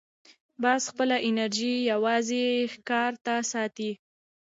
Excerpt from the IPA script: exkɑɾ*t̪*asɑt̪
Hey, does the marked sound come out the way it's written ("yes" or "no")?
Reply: yes